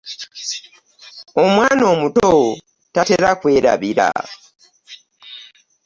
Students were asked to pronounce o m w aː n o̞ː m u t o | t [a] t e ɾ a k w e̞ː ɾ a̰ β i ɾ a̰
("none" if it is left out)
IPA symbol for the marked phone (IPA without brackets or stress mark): a